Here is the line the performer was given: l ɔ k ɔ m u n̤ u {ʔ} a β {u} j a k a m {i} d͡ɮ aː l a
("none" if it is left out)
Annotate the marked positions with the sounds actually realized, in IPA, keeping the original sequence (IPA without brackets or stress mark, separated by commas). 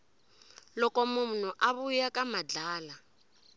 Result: ʔ, u, a